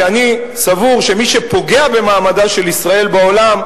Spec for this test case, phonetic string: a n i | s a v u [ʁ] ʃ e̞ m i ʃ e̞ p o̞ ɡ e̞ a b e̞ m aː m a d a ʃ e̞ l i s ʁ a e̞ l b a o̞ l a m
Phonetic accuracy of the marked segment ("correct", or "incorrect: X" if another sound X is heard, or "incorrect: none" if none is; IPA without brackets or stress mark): correct